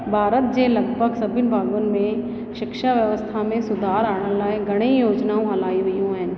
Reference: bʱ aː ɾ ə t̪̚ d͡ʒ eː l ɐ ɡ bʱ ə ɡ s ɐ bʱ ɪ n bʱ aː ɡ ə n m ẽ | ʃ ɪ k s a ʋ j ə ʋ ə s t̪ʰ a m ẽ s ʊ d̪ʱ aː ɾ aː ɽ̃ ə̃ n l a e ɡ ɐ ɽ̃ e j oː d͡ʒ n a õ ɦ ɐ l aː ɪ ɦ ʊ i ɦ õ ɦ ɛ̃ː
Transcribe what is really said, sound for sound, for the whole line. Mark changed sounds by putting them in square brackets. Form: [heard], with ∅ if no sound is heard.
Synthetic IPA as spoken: bʱ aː ɾ ə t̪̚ d͡ʒ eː l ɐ ɡ bʱ ə ɡ s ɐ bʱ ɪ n bʱ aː ɡ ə n m ẽ | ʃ ɪ k [ʃ] a ʋ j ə ʋ ə s t̪ʰ a m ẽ s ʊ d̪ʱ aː ɾ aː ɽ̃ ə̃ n l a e ɡ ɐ ɽ̃ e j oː d͡ʒ n a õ ɦ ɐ l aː [i] ɦ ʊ i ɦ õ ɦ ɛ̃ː